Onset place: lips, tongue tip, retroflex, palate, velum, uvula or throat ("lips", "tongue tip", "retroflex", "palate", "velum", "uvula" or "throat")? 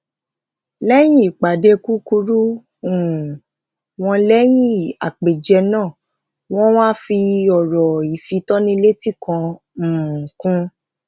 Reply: tongue tip